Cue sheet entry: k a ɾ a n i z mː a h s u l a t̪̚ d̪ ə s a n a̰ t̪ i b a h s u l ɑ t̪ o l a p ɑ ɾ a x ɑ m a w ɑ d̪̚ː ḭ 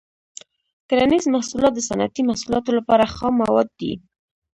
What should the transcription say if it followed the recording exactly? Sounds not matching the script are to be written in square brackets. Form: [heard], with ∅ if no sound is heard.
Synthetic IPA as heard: k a ɾ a n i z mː a h s u l [ɑ] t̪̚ d̪ ə s a n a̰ t̪ i [m] a h s u l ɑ t̪ o l a p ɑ ɾ a x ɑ m a w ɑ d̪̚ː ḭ

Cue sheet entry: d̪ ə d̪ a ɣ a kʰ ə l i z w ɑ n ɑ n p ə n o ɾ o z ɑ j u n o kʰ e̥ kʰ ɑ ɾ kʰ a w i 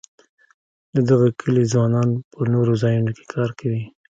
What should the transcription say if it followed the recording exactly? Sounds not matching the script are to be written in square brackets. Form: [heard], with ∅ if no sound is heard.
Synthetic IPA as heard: d̪ ə d̪ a ɣ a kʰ ə l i z w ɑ n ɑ n p ə n o ɾ o z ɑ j u n o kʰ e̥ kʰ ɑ ɾ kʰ a w i

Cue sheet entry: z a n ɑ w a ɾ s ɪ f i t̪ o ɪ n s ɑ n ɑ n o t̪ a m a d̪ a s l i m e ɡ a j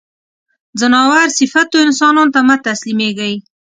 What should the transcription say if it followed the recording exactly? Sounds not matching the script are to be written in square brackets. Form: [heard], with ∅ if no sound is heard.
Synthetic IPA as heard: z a n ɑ w a ɾ s ɪ f [a] t̪ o ɪ n s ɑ n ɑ n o t̪ a m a [t̪] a s l i m e ɡ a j

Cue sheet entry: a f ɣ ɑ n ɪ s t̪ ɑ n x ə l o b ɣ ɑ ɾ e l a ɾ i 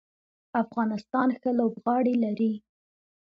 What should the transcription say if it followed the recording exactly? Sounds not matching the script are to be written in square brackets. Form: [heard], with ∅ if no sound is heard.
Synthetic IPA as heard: a f ɣ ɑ n ɪ s t̪ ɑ n x ə l o b ɣ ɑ [ɽ] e l a ɾ i

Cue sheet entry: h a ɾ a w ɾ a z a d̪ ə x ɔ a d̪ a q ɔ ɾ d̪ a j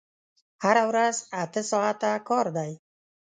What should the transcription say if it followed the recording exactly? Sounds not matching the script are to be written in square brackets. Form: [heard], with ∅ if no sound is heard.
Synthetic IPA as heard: h a ɾ a w ɾ a z a [t̪] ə [s] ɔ a [t̪] a [k] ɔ ɾ d̪ a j

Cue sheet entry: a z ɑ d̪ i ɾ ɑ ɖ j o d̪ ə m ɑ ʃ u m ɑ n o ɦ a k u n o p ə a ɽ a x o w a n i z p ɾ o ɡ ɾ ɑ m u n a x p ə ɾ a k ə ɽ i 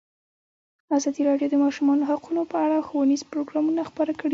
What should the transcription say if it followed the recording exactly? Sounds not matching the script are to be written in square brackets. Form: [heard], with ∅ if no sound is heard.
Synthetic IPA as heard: a z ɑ d̪ i ɾ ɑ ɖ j o d̪ ə m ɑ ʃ u m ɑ n o ɦ a [q] u n o p ə a ɽ a x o w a n i z p ɾ o ɡ ɾ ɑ m u n a x p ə ɾ a k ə ɽ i

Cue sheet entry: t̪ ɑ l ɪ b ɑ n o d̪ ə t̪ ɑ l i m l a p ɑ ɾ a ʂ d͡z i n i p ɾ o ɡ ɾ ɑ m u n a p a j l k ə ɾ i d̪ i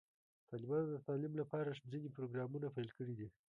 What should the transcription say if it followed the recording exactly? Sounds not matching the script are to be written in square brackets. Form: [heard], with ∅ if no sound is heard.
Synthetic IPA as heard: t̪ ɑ l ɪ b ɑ n o d̪ ə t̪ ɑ l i m l a p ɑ ɾ a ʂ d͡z i n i p ɾ o ɡ ɾ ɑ m u n a p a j l k ə [ɽ] i d̪ i

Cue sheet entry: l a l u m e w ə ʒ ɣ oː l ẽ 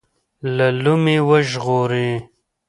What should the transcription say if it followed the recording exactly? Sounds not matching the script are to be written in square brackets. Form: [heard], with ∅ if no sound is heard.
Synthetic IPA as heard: l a l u m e w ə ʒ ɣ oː [ɾ] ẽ

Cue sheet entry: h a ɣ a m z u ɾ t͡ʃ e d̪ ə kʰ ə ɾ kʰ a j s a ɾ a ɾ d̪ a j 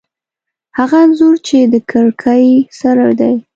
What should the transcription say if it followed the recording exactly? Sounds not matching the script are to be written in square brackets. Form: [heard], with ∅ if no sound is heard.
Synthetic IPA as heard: h a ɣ a [n] z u ɾ t͡ʃ e d̪ ə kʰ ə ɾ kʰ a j s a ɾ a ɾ d̪ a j

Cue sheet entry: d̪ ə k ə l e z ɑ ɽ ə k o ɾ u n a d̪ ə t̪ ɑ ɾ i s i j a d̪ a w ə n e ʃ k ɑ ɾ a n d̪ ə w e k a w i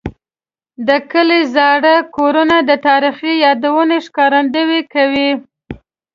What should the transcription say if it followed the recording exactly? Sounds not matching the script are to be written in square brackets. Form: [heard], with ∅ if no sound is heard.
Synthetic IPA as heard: d̪ ə k ə l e z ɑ ɽ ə k o ɾ u n a d̪ ə t̪ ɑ ɾ i [x] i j [ɑ] d̪ a w ə n e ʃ k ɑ ɾ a n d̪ ə w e k a w i

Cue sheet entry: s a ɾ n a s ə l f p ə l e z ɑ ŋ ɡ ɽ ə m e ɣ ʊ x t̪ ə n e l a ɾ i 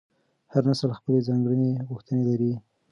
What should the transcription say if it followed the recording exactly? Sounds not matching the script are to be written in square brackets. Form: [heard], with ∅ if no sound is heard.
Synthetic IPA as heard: [h] a ɾ n a s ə l [x] p ə l e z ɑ ŋ ɡ ɽ ə [n] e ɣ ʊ x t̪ ə n e l a ɾ i

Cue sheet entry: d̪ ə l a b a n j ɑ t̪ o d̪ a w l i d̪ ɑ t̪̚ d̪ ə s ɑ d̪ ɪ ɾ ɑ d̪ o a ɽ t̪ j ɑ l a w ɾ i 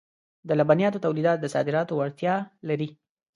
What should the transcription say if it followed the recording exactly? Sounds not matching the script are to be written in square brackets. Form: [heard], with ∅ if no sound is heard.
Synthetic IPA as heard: d̪ ə l a b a n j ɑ t̪ o [t̪] a w l i d̪ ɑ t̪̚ d̪ ə s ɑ d̪ ɪ ɾ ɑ [t̪] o a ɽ t̪ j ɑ l a [∅] ɾ i

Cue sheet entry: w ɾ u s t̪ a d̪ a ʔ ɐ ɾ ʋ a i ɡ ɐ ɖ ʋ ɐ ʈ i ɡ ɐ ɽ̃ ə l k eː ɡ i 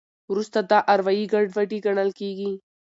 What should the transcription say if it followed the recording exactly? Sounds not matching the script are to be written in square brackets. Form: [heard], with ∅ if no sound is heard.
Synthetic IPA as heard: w ɾ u s t̪ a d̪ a ʔ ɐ ɾ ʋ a i ɡ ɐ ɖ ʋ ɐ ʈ i ɡ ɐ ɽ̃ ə l k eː ɡ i

